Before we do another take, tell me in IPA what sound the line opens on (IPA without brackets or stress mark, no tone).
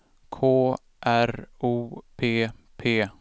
kʰ